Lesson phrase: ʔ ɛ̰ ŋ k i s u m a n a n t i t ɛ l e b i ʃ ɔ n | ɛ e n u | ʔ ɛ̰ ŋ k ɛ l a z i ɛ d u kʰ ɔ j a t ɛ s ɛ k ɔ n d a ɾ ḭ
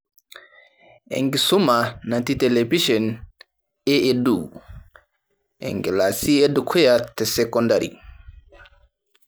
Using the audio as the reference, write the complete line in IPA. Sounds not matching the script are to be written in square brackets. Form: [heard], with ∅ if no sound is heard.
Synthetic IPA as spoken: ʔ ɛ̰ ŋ [ɡ] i s u m a n a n t i t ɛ l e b i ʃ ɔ n | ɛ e [d] u | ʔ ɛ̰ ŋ [ɡ] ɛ l a [s] i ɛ d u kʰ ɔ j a t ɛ s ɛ k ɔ n d a ɾ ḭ